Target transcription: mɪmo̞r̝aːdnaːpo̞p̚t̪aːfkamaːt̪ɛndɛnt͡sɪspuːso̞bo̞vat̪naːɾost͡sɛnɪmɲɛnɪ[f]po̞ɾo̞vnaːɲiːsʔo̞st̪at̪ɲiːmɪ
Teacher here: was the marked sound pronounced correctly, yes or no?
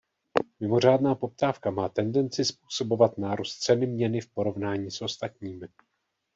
yes